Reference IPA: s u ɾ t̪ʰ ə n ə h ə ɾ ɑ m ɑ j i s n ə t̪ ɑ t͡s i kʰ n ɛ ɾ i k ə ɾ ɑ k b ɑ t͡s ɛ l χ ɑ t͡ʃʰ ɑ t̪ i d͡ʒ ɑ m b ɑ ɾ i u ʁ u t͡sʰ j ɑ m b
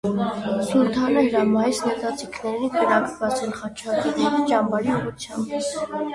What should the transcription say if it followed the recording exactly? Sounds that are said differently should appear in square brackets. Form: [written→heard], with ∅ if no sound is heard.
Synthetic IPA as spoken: s u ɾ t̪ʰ [ə→ɑ] n ə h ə ɾ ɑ m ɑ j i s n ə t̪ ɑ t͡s i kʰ n ɛ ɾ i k ə ɾ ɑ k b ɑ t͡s ɛ l χ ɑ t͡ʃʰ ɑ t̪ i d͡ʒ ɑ m b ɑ ɾ i u ʁ u t͡sʰ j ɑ m b